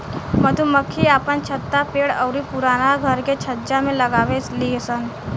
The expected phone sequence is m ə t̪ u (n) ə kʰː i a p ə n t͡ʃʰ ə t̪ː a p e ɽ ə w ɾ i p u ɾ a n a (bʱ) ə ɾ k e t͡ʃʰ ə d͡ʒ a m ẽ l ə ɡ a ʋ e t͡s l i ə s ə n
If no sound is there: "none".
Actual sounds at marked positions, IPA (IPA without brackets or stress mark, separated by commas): m, ɡʱ